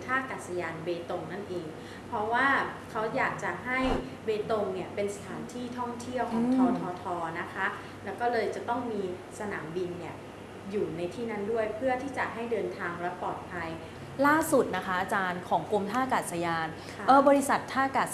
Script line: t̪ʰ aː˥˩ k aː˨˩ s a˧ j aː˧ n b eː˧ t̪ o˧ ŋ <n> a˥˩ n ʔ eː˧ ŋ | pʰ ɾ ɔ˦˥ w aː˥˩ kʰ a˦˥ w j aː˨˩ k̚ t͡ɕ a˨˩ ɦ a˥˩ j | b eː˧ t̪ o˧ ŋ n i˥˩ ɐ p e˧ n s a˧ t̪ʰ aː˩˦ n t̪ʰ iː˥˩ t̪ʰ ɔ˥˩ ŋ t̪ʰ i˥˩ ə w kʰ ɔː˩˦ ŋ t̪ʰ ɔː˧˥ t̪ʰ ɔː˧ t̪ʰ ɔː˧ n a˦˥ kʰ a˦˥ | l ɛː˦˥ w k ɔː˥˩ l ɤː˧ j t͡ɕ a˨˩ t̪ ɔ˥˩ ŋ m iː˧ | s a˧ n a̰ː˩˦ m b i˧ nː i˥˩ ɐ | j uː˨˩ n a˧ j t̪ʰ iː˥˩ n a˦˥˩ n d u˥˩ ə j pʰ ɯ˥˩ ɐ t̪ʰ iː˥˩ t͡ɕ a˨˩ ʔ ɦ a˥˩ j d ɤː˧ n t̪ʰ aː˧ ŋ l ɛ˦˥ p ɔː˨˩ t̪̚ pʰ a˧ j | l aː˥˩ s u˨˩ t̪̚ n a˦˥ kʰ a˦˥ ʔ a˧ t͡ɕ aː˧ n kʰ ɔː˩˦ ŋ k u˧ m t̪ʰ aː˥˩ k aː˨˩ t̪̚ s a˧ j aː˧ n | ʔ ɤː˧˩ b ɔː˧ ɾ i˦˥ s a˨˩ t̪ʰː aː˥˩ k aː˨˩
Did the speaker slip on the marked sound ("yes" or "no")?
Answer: no